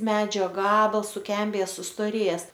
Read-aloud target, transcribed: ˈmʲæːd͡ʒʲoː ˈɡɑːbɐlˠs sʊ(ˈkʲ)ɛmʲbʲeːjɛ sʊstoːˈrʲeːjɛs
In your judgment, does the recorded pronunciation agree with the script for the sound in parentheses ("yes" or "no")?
yes